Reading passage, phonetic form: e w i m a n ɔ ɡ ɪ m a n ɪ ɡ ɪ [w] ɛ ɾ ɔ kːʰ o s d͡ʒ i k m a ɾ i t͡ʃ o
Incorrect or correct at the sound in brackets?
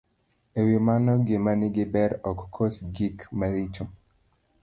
incorrect: b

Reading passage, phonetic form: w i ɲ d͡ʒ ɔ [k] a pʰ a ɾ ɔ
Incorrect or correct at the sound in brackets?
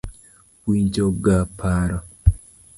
incorrect: ɡ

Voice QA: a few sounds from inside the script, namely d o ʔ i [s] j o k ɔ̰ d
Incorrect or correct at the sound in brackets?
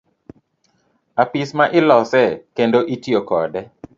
incorrect: t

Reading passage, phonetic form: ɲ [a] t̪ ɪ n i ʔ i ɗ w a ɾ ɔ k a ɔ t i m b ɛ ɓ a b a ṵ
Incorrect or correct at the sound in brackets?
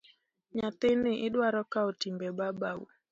correct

